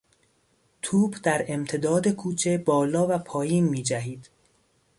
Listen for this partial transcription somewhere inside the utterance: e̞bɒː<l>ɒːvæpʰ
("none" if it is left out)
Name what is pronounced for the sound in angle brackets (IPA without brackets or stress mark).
l